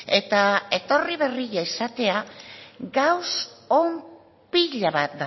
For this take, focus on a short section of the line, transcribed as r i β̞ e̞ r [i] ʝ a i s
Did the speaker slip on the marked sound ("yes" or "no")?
no